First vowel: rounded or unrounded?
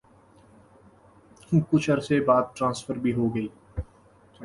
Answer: rounded